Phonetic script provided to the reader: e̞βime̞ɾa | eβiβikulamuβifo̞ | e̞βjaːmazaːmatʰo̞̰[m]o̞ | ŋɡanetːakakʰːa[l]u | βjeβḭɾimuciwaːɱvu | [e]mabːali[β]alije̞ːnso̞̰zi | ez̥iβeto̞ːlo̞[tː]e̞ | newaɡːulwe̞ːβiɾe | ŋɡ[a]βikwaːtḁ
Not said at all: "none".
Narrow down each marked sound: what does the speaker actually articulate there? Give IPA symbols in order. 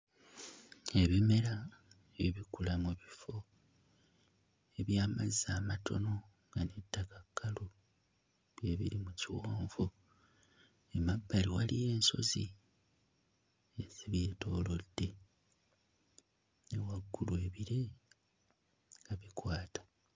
n, l, e, w, dː, a

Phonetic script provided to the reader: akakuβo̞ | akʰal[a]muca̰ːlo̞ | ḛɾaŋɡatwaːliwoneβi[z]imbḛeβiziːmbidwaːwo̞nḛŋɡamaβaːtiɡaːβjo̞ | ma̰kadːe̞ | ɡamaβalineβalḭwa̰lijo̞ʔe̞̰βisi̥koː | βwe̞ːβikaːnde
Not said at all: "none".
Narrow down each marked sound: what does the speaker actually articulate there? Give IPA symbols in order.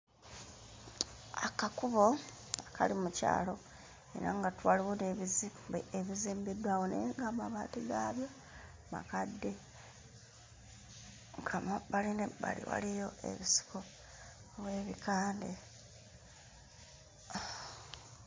i, z

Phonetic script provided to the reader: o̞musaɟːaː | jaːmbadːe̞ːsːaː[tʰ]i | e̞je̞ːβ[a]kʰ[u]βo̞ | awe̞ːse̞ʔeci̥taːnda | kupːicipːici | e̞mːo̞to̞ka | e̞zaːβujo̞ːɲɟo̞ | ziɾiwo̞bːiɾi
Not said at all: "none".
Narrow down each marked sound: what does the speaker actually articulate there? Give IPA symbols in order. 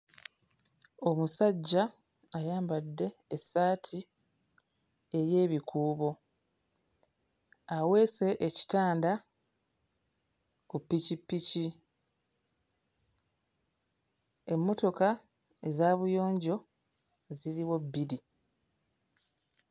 tʰ, i, uː

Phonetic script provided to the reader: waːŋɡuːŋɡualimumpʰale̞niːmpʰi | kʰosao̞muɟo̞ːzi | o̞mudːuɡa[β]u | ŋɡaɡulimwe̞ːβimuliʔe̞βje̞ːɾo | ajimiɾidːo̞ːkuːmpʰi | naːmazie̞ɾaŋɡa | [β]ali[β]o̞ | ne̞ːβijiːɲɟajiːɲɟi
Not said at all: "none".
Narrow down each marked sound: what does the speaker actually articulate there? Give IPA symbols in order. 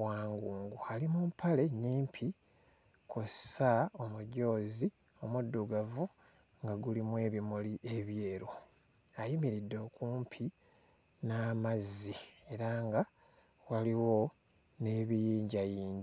v, w, w

